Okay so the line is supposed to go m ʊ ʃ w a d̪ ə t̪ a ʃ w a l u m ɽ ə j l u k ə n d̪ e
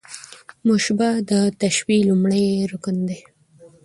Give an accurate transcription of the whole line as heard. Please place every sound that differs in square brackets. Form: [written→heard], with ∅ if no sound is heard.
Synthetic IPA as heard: m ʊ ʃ [w→b] a d̪ ə t̪ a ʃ w [a→i] l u m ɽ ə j [l→ɾ] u k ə n d̪ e